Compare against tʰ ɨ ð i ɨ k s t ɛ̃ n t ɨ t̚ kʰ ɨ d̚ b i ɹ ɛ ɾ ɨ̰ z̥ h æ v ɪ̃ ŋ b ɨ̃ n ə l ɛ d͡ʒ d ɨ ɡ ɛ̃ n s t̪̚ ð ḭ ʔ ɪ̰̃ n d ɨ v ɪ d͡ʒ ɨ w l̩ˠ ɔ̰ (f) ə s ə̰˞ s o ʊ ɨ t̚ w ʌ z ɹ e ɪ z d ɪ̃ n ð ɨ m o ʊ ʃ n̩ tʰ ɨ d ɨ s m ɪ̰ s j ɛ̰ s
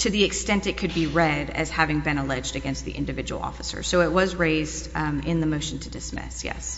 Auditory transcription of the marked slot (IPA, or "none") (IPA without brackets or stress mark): f